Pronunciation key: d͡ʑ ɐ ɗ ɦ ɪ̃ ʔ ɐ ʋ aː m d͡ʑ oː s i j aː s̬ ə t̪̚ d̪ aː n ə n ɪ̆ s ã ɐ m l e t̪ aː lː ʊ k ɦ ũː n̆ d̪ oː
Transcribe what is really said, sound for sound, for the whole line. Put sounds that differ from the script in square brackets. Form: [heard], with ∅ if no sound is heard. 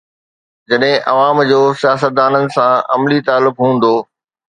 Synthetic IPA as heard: d͡ʑ ɐ ɗ ɦ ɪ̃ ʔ ɐ ʋ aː m d͡ʑ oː s i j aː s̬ ə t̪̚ d̪ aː n ə n ɪ̆ s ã ɐ m l [i] t̪ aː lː ʊ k ɦ ũː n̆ d̪ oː